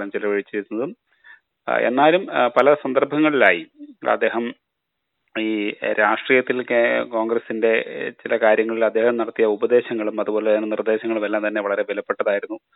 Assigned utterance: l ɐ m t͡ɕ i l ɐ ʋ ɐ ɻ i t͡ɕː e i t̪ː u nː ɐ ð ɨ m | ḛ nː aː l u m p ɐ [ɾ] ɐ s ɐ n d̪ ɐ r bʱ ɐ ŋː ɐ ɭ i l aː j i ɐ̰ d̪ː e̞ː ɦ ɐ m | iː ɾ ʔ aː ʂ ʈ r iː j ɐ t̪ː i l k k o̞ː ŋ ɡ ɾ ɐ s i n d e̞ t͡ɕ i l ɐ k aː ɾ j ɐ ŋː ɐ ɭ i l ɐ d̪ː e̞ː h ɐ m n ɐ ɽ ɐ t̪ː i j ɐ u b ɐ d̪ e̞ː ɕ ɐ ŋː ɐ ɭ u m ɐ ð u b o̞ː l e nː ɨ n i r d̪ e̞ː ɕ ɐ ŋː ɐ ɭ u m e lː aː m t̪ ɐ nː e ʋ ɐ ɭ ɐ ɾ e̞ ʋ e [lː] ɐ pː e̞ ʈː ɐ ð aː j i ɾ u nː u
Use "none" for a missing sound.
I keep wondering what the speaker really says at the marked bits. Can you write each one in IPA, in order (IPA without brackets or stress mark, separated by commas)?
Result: l, l